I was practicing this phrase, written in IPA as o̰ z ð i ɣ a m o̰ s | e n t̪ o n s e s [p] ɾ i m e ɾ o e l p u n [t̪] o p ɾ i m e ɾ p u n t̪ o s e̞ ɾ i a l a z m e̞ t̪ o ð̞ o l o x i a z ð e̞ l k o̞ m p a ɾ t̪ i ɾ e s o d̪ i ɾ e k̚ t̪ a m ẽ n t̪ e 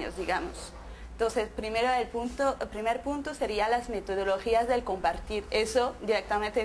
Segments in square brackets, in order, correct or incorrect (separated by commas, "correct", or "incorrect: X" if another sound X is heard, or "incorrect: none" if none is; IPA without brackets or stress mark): correct, correct